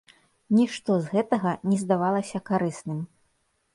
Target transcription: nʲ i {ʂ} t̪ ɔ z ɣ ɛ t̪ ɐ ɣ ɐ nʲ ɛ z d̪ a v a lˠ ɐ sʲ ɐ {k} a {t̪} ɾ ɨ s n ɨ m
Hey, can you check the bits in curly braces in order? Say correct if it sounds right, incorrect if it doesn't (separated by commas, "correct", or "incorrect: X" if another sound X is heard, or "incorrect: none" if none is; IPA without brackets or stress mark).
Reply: correct, correct, incorrect: none